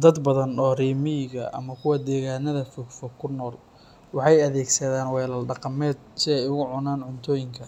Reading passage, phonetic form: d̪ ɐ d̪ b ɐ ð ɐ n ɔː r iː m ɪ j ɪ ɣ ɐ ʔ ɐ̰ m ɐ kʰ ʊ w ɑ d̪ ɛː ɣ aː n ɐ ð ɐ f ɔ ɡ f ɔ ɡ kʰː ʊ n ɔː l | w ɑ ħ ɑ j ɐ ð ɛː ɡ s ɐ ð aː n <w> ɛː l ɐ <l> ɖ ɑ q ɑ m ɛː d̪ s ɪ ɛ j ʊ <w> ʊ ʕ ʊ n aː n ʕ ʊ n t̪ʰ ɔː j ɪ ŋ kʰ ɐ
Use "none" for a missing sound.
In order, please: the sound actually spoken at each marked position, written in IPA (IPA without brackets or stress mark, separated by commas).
w, l, ɣ